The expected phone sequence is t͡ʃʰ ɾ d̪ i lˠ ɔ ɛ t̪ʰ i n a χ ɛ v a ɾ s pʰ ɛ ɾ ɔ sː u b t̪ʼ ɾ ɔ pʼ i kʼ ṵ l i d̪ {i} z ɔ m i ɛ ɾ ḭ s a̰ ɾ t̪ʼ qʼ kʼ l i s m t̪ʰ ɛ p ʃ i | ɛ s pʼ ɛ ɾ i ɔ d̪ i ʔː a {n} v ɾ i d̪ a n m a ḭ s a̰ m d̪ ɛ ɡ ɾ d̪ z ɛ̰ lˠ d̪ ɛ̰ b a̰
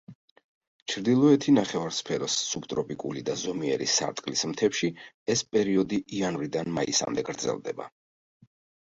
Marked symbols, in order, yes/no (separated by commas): no, yes